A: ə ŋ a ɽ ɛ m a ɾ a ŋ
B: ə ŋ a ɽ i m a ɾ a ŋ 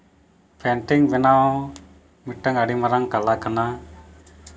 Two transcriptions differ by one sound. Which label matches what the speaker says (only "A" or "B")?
B